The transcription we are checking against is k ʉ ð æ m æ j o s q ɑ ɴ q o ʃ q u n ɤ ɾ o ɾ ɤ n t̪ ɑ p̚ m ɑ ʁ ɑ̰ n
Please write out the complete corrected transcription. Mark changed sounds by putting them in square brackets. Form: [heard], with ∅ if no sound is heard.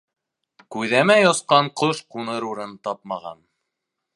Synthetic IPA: k ʉ ð æ m æ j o s q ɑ ɴ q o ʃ q u n ɤ ɾ [u] ɾ ɤ n t̪ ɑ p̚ m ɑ ʁ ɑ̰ n